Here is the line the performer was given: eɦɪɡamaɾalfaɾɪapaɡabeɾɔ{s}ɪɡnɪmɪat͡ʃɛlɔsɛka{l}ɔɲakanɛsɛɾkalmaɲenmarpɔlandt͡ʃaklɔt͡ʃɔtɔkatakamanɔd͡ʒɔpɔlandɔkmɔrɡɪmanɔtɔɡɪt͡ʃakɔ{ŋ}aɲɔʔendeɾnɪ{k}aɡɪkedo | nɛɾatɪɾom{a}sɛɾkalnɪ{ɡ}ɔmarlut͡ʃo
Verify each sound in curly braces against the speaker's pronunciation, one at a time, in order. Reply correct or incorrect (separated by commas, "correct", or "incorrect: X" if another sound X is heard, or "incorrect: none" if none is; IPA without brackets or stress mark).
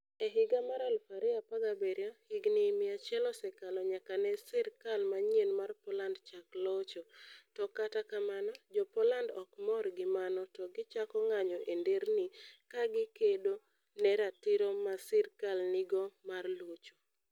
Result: incorrect: h, correct, correct, correct, correct, correct